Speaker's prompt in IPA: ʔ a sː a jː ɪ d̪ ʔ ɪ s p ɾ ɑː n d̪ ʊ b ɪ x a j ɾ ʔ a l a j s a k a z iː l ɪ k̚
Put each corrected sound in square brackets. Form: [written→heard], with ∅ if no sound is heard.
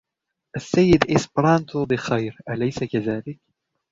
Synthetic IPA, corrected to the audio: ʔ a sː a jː ɪ d̪ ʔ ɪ s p ɾ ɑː n [d̪→t̪] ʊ b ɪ x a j ɾ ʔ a l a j s a k a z [iː→aː] l ɪ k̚